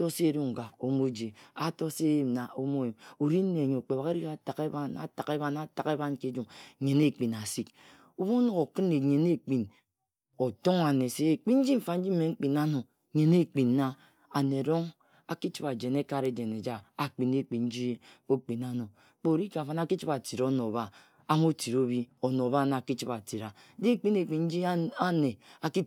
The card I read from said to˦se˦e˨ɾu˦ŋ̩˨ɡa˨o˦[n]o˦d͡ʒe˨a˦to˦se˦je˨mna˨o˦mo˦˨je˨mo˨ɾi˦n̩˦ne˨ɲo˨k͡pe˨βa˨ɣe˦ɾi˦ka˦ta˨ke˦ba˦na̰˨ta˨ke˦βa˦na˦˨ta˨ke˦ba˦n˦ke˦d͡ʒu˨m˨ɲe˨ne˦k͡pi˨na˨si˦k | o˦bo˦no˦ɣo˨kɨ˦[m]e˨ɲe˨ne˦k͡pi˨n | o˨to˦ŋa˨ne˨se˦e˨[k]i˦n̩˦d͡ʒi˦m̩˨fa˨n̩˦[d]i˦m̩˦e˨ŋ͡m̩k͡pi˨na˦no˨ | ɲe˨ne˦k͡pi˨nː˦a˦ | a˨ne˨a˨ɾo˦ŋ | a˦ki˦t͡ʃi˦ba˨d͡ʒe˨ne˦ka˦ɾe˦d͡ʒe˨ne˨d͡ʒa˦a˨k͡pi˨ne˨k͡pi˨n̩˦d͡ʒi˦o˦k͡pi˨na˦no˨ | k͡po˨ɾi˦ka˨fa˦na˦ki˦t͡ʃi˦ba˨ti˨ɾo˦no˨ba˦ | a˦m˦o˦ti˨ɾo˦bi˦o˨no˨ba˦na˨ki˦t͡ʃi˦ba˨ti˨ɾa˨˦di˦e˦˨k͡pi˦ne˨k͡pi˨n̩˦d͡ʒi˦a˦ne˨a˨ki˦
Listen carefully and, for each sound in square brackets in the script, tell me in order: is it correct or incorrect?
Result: incorrect, incorrect, incorrect, incorrect

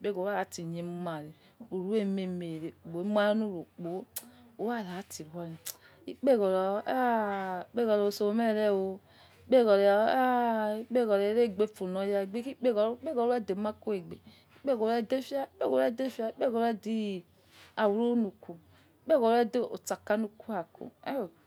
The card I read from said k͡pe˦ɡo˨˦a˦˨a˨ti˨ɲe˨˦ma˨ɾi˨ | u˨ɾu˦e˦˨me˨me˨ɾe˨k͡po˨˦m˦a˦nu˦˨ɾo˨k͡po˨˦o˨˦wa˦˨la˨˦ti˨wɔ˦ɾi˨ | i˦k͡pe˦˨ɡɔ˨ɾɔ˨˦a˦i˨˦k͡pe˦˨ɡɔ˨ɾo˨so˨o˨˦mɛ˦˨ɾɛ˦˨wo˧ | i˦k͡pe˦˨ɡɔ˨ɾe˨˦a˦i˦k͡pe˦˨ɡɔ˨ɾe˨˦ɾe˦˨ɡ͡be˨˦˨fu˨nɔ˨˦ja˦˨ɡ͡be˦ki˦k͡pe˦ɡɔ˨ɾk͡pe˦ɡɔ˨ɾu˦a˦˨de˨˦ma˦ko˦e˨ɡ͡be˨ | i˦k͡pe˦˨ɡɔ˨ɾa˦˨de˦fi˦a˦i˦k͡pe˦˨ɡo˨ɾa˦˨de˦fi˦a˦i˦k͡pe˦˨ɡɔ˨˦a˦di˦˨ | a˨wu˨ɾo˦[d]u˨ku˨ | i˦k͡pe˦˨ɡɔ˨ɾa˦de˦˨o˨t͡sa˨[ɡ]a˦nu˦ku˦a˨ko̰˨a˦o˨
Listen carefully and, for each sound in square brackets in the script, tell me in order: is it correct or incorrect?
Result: incorrect, incorrect

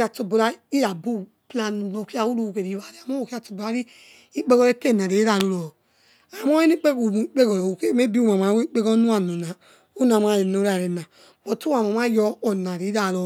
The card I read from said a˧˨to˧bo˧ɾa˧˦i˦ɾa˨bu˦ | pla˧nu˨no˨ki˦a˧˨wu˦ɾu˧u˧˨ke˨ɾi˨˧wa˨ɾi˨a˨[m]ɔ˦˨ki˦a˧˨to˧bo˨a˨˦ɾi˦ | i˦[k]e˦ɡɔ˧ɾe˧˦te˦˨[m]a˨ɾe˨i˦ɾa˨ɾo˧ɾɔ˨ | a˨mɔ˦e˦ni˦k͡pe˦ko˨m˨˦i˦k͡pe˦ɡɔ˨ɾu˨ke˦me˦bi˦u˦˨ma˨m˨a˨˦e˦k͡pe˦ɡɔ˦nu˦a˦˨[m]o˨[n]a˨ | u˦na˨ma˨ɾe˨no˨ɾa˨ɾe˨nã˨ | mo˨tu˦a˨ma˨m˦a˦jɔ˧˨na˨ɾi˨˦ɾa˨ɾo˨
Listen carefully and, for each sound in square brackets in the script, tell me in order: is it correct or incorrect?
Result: correct, incorrect, incorrect, incorrect, correct

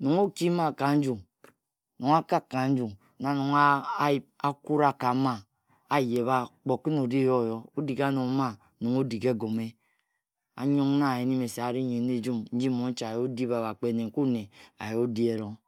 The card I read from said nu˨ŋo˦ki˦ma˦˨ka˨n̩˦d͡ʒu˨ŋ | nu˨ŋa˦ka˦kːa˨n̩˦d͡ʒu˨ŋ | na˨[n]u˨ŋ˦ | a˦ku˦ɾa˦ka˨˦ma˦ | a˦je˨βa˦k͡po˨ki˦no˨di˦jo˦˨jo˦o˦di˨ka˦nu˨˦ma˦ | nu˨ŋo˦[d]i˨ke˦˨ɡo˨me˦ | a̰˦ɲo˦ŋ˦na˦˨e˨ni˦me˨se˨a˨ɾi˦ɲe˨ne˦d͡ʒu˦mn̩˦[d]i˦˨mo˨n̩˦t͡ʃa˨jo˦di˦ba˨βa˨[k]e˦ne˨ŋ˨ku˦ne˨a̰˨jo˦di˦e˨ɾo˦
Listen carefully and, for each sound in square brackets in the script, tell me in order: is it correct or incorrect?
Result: correct, correct, incorrect, incorrect

